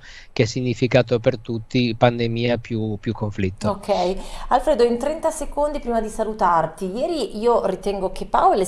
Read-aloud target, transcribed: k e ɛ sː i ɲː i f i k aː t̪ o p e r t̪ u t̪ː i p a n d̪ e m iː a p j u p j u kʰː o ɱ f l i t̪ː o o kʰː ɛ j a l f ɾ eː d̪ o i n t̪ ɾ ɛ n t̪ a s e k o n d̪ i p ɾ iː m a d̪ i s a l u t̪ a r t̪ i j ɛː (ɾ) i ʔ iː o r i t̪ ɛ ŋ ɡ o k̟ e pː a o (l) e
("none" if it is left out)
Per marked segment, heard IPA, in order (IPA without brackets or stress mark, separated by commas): ɾ, l